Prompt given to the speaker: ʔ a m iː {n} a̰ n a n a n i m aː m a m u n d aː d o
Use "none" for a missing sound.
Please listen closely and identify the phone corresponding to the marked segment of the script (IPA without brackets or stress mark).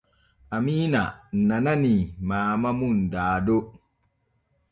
n